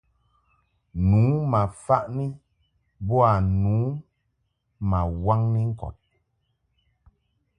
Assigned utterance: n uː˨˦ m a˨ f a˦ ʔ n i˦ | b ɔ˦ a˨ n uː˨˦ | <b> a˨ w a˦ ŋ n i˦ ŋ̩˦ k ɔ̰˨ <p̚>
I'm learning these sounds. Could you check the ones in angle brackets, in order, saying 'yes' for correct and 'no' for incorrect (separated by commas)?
no, no